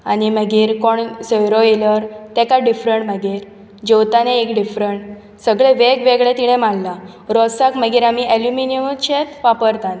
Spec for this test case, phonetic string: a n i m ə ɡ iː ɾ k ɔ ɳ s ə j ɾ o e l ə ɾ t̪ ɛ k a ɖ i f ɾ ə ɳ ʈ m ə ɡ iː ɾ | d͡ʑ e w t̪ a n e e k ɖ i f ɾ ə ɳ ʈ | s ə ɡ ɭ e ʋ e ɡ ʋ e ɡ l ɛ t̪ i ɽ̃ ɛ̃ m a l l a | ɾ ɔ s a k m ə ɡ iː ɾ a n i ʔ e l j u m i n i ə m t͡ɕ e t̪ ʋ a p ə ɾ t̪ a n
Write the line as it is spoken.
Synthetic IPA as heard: a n i m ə ɡ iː ɾ k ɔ ɳ s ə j ɾ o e l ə ɾ t̪ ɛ k a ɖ i f ɾ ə ɳ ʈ m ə ɡ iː ɾ | d͡ʑ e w t̪ a n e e k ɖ i f ɾ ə ɳ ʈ | s ə ɡ ɭ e ʋ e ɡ ʋ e ɡ ɭ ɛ t̪ i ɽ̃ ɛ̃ m a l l a | ɾ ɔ s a k m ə ɡ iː ɾ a m i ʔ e l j u m i n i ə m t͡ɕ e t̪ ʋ a p ə ɾ t̪ a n